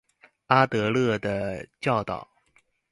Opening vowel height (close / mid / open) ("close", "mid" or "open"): open